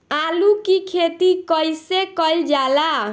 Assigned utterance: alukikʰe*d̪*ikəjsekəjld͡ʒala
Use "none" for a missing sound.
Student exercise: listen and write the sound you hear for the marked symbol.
t̪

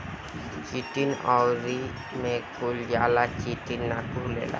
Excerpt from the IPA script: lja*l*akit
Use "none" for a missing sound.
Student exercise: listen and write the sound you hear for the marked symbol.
l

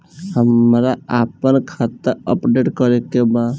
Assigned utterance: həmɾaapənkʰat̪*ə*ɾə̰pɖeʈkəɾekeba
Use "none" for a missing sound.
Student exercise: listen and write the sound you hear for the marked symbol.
ə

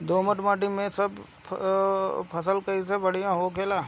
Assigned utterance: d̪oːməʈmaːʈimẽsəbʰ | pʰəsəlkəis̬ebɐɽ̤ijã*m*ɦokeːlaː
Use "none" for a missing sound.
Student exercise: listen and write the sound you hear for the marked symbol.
none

